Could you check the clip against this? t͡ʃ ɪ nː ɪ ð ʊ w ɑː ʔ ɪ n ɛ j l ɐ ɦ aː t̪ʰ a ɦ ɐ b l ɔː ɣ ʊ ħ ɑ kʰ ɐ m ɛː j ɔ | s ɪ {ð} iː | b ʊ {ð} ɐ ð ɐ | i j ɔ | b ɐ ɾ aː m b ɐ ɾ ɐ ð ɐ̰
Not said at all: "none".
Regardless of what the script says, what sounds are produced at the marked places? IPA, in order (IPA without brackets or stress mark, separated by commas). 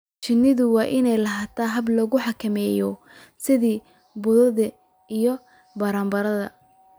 ð, ð